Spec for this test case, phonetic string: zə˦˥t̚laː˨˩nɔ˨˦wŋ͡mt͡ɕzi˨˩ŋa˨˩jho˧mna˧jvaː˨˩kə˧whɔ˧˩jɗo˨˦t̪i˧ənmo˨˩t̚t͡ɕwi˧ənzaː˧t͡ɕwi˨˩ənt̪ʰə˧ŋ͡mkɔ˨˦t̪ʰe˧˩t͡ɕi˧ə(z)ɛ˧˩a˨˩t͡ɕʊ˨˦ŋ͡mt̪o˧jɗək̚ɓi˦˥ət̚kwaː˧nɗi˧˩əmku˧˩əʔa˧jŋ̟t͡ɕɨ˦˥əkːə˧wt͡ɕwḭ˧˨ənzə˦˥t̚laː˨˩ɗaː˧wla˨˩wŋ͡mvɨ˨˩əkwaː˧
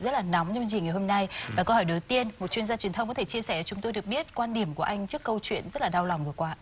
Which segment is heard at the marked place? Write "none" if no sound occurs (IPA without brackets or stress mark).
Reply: s